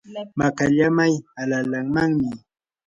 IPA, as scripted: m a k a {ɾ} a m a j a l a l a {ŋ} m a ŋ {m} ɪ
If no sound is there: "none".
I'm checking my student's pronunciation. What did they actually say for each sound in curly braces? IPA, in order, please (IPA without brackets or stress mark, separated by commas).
ʎ, ŋ, m